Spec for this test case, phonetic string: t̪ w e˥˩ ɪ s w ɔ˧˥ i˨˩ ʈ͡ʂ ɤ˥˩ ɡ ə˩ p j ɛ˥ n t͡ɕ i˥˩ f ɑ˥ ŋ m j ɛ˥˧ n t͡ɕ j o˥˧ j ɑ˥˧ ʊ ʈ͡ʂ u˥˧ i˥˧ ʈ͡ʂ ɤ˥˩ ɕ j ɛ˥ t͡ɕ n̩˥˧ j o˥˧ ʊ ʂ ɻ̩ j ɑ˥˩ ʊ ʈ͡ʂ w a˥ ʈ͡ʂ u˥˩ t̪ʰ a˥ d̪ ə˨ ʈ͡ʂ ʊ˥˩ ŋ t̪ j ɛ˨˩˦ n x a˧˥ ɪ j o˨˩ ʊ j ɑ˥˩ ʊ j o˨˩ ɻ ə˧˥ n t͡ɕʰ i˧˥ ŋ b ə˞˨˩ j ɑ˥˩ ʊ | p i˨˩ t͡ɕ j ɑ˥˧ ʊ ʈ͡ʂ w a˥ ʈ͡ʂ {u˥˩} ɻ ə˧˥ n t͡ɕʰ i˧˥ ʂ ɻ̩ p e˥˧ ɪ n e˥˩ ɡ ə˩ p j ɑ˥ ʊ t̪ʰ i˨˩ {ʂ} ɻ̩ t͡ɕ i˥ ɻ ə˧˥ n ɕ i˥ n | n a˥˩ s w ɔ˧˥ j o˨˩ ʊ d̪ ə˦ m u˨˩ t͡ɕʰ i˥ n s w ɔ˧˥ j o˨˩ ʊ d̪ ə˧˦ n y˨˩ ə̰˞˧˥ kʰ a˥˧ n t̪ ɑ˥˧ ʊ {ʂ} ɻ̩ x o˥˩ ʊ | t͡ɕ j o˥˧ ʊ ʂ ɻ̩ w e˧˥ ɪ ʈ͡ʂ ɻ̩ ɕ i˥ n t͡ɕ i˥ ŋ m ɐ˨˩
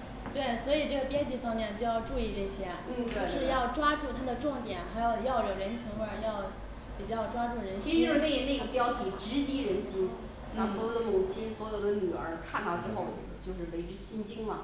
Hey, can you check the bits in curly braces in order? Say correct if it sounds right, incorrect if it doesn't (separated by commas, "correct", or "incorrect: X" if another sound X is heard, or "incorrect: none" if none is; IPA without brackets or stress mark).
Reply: correct, incorrect: ʈ͡ʂ, incorrect: ʈ͡ʂ